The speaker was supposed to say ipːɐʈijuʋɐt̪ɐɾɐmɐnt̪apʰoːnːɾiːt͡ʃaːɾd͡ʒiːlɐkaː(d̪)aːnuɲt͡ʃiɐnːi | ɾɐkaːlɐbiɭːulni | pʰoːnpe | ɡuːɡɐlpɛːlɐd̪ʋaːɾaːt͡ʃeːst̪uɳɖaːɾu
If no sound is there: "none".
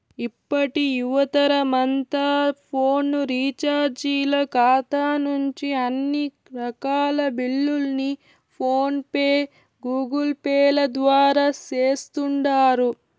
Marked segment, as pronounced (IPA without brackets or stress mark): t̪